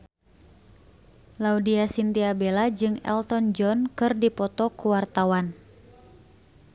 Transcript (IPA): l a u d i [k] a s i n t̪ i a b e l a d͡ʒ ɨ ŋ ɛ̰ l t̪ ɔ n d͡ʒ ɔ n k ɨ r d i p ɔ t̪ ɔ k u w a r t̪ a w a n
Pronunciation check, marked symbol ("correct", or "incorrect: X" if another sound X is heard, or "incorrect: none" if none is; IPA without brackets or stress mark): incorrect: none